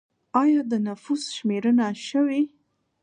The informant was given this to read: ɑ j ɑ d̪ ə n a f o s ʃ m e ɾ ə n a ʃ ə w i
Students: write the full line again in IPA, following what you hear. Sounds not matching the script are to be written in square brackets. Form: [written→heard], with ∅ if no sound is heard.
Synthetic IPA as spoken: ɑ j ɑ d̪ ə n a f [o→u] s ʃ m e ɾ ə n a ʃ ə w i